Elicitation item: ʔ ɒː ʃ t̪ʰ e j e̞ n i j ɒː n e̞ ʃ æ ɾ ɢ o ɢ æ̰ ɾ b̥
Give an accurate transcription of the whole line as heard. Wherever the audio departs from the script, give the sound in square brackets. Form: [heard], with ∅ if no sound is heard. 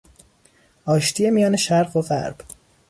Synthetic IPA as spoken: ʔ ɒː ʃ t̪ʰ [i] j e̞ [m] i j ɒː n e̞ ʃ æ ɾ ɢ o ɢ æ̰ ɾ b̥

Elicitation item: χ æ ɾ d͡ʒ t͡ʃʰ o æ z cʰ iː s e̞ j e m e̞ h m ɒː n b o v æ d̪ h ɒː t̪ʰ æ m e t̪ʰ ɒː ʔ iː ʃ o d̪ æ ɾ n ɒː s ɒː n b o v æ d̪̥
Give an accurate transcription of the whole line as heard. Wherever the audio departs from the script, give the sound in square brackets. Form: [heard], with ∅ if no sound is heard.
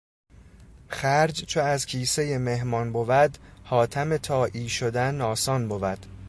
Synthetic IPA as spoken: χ æ ɾ d͡ʒ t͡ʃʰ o æ z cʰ iː s e̞ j e m e̞ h m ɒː n b o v æ d̪ h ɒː t̪ʰ æ m e t̪ʰ ɒː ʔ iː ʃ o d̪ æ [∅] n ɒː s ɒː n b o v æ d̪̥

